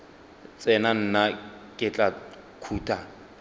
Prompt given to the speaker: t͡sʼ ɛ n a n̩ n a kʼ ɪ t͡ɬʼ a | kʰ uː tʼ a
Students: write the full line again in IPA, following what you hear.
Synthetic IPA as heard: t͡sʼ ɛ n a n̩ n a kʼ ɪ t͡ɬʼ a | kʰ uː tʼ a

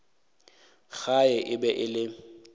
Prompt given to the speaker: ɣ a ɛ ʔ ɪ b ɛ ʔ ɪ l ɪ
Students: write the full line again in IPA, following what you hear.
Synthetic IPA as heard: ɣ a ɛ ʔ ɪ b ɛ ʔ ɪ l ɪ

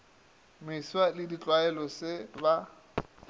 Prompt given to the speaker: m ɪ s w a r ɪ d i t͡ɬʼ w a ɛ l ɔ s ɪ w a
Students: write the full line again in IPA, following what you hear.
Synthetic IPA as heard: m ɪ s w a l ɪ d i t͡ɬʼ w a ɛ l ɔ s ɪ b a

